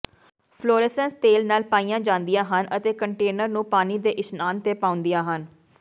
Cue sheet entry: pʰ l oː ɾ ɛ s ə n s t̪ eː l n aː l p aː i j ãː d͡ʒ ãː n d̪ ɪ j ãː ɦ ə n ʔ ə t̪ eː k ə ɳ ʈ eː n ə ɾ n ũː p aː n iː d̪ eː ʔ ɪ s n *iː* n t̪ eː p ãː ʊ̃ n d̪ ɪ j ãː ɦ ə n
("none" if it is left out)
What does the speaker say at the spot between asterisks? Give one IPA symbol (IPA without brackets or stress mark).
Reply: aː